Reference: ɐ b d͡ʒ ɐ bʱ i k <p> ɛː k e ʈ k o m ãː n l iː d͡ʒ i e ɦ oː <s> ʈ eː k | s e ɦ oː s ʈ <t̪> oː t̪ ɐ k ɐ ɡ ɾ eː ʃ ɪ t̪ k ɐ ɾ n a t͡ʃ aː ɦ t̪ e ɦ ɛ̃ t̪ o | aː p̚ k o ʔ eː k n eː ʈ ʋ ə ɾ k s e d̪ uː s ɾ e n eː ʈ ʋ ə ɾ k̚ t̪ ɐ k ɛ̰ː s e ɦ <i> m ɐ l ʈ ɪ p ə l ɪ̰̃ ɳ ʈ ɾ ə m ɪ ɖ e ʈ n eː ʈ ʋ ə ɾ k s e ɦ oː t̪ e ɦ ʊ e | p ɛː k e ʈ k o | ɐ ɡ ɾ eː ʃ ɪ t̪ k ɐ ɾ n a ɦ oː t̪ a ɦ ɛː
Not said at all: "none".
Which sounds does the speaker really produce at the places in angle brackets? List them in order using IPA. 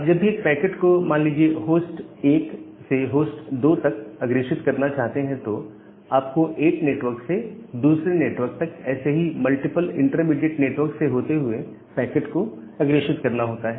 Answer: p, s, d̪, i

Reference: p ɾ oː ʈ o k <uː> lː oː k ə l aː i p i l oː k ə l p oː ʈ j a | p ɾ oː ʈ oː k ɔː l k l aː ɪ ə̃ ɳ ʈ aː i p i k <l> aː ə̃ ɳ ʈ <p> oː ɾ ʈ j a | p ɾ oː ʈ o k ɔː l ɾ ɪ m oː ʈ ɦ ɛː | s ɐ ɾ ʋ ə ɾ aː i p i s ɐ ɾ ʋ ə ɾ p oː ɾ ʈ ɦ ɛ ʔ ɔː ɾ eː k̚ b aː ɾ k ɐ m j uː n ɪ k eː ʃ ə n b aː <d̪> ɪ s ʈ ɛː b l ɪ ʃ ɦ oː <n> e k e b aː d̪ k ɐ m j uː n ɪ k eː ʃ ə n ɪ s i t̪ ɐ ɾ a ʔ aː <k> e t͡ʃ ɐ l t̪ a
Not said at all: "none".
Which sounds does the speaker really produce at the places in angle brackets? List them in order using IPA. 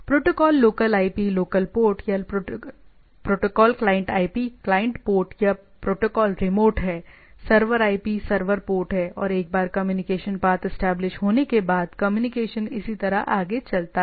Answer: ɔː, l, p, t̪, n, ɡ

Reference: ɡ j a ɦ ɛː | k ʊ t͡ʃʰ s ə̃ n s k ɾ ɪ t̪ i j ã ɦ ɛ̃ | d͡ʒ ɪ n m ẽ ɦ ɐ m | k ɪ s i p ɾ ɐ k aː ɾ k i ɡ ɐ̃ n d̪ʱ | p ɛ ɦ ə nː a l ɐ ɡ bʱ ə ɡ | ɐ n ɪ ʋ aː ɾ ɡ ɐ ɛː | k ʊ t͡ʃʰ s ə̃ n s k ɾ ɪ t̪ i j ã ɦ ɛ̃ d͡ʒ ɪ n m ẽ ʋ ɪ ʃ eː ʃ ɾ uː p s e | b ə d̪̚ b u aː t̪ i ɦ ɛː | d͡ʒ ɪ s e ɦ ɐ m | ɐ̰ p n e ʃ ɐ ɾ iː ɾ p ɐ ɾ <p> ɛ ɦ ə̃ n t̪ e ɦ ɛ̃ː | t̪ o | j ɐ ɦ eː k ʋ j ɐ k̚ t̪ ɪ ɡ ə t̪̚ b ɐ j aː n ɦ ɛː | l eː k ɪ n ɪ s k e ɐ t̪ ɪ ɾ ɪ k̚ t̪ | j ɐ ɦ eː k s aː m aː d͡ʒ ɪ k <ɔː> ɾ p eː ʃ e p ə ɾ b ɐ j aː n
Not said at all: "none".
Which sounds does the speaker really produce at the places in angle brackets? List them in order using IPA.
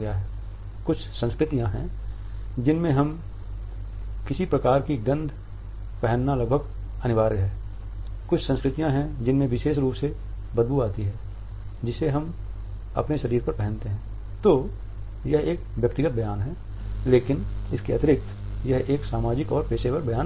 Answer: p, ɔː

